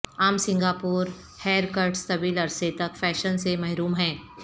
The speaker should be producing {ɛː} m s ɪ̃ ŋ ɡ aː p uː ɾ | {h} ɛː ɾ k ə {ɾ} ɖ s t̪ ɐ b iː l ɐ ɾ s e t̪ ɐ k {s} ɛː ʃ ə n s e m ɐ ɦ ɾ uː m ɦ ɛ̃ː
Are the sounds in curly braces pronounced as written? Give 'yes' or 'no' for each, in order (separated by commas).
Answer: no, yes, yes, no